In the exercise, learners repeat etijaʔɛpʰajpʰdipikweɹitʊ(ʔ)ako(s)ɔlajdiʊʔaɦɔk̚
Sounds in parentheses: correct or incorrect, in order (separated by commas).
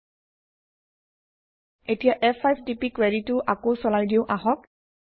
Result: correct, correct